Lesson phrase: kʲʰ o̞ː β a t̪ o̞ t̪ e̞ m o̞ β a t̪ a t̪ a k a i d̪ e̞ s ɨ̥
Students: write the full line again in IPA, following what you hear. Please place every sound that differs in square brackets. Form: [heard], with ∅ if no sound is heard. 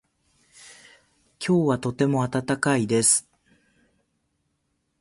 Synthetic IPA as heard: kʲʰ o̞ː β a t̪ o̞ t̪ e̞ m o̞ [∅] a t̪ a t̪ a k a i d̪ e̞ s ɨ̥